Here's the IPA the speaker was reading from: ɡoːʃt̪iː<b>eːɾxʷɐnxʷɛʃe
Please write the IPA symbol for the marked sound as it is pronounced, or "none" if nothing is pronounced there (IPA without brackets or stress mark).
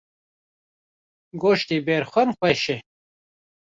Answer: b